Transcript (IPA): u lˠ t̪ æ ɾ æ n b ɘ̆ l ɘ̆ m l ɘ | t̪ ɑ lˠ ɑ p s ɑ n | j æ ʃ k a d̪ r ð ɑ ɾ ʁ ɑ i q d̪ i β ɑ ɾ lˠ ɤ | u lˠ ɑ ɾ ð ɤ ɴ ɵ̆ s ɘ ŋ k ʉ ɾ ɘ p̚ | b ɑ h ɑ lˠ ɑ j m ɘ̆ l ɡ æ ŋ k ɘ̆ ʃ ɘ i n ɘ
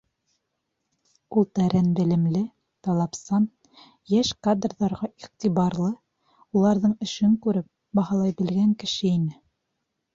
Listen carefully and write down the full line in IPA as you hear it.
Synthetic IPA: u lˠ t̪ æ ɾ æ n b ɘ̆ l ɘ̆ m l ɘ | t̪ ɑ lˠ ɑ p s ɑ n | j æ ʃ k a d̪ r ð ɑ ɾ ʁ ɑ i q t̪ i β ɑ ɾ lˠ ɤ | u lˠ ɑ ɾ ð ɤ ɴ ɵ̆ ʃ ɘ ŋ k ʉ ɾ ɘ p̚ | b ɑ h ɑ lˠ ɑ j b ɘ̆ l ɡ æ ŋ k ɘ̆ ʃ ɘ i n ɘ